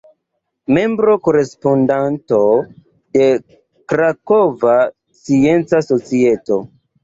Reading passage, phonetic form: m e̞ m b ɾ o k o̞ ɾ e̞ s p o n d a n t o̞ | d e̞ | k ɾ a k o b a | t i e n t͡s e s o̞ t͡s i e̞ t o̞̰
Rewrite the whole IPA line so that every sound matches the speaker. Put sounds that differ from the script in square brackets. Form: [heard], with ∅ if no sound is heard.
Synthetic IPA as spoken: m e̞ m b ɾ o k o̞ ɾ e̞ s p o n d a n t o̞ | d e̞ | k ɾ a k o [v] a | [s] i e n t͡s [a] s o̞ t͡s i e̞ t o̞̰